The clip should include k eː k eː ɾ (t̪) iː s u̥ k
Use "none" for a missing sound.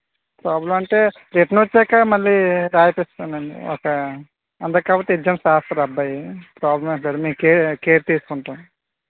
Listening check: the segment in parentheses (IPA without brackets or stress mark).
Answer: t̪